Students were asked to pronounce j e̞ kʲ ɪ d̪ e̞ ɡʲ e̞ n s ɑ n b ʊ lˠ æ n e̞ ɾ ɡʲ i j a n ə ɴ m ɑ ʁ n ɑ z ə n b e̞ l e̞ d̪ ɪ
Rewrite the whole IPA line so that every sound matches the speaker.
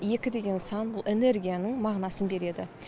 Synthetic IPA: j e̞ kʲ ɪ d̪ e̞ ɡʲ e̞ n s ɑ n b ʊ lˠ e n e̞ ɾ ɡʲ i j a n ə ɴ m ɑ ʁ n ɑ s ə n b e̞ ɾ e̞ d̪ ɪ